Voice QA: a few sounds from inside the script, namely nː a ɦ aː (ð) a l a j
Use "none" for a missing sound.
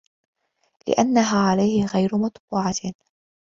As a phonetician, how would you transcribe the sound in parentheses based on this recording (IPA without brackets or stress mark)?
ʕ